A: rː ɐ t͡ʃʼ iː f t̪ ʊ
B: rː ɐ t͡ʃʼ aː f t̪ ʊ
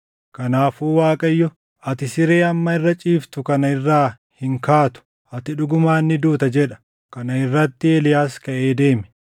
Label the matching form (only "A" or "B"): A